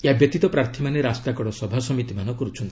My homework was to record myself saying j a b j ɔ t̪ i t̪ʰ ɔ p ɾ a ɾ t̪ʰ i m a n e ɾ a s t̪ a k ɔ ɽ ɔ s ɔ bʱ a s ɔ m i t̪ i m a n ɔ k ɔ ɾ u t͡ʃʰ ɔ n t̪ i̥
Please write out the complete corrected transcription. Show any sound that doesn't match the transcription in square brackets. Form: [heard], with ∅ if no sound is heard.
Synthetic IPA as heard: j a b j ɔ t̪ i [t̪] ɔ p ɾ a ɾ t̪ʰ i m a n e ɾ a s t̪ a k ɔ ɽ ɔ s ɔ bʱ a s ɔ m i t̪ i m a n ɔ k ɔ ɾ u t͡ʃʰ ɔ n t̪ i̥